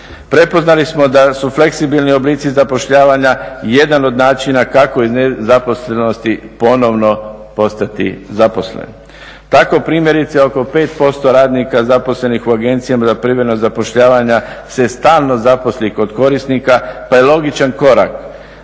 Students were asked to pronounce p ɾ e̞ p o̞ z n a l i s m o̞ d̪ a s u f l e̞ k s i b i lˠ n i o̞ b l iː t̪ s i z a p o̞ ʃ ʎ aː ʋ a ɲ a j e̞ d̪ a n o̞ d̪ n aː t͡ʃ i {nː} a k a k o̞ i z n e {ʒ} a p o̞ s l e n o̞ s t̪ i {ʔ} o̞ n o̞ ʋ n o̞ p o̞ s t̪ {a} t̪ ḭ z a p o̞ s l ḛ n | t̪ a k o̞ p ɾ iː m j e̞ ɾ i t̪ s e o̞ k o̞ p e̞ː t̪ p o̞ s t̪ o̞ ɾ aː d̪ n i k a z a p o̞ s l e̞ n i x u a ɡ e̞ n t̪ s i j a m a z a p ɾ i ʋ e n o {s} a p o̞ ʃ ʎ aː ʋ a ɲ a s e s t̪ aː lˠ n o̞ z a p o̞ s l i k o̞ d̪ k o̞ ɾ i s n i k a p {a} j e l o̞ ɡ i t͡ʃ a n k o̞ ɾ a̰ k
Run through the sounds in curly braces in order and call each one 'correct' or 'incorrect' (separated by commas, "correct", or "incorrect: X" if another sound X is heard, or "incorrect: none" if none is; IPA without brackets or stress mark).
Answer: incorrect: n, incorrect: z, incorrect: p, correct, incorrect: z, correct